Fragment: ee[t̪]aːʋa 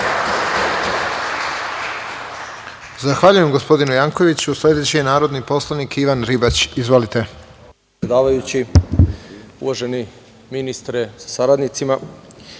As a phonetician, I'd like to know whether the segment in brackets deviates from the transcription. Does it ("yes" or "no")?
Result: yes